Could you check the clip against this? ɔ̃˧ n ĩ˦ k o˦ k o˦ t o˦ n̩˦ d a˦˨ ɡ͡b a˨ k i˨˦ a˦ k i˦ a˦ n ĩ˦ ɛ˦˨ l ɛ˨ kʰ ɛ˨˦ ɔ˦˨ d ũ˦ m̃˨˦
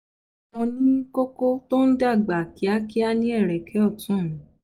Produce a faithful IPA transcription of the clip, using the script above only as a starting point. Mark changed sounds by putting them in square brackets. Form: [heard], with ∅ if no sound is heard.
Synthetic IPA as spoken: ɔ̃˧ n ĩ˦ k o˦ k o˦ t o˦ n̩˦ d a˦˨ ɡ͡b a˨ k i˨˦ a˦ k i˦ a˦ n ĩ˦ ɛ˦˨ [ɾ] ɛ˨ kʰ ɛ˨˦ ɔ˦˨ [t] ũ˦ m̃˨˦